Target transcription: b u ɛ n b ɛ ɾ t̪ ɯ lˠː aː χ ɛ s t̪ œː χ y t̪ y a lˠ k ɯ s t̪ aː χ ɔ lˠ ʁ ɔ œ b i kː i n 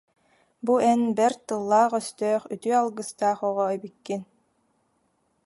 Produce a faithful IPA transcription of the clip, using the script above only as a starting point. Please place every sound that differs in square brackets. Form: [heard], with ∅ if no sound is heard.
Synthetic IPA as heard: b u ɛ n b ɛ ɾ t̪ ɯ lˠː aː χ [œ] s t̪ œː χ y t̪ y a lˠ [ɡ] ɯ s t̪ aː χ ɔ [∅] ʁ ɔ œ b i kː i n